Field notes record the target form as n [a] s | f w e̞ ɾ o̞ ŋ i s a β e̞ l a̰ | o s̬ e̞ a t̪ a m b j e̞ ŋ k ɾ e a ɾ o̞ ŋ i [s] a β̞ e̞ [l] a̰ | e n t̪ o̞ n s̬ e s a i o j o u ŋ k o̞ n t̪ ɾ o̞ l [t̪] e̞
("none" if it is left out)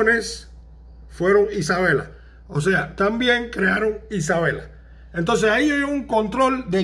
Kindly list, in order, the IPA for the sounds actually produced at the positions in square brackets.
e, s, l, d̪

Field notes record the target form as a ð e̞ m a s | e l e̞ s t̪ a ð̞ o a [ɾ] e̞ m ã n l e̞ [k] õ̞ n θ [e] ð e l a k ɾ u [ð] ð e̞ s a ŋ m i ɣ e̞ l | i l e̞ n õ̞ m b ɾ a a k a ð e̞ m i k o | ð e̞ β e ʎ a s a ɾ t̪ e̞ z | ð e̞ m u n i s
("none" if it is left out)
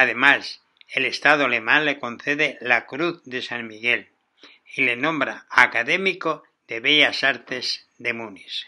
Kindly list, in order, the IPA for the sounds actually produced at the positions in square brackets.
l, k, e, θ

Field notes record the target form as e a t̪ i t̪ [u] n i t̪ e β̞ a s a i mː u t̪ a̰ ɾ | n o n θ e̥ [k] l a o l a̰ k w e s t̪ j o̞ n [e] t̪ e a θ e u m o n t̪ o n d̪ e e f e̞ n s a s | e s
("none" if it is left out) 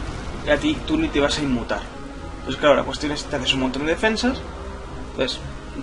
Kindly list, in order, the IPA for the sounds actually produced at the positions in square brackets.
u, k, e

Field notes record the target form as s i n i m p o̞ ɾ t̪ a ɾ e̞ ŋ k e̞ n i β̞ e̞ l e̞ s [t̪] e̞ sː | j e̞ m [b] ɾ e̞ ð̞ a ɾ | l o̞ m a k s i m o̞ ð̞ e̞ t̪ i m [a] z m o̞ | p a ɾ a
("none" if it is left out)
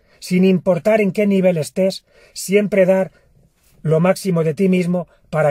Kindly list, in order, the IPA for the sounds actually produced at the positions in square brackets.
t̪, p, i

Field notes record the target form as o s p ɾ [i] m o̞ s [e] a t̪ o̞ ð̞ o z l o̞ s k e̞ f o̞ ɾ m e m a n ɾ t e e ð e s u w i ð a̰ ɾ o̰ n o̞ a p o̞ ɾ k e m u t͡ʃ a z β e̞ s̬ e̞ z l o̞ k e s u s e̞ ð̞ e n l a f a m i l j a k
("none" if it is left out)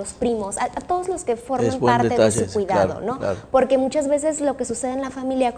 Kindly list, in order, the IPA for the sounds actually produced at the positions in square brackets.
i, a

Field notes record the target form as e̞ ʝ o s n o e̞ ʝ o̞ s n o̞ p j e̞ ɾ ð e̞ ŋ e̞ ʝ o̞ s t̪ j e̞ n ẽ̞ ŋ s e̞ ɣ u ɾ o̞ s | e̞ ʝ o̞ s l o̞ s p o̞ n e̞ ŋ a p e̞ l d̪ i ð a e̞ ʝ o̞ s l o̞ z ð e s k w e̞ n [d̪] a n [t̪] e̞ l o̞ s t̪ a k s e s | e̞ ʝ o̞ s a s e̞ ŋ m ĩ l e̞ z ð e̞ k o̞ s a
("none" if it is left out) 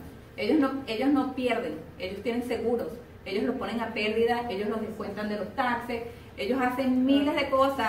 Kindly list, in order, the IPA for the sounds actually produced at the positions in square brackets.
t̪, d̪

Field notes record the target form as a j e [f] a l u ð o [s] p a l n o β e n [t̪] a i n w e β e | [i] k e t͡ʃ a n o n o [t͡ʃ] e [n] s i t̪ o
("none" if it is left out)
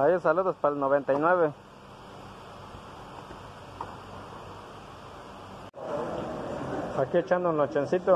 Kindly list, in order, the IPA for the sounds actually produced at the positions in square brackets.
s, s, t̪, a, t͡ʃ, n

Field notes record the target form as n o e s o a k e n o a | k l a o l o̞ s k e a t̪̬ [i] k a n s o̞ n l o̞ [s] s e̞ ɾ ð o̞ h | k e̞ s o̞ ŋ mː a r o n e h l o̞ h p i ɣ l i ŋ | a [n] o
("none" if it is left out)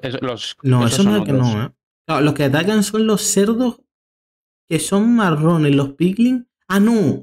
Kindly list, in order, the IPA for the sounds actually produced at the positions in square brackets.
a, s, n

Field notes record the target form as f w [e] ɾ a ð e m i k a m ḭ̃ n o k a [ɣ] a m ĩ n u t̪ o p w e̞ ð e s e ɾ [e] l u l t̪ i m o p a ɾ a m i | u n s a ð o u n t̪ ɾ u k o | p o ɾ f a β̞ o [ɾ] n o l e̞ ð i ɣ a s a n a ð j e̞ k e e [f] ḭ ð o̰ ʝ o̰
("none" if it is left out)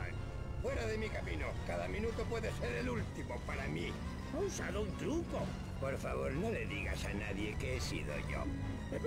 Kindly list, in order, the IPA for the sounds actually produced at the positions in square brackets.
e, ð, e, ɾ, s

